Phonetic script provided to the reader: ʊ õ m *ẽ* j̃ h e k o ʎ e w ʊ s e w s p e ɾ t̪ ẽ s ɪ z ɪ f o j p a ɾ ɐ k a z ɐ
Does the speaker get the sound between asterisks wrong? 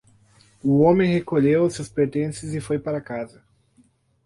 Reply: no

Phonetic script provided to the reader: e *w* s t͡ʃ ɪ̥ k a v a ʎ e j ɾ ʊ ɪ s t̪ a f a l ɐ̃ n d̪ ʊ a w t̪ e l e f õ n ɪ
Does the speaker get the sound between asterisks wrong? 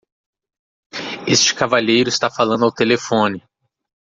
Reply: yes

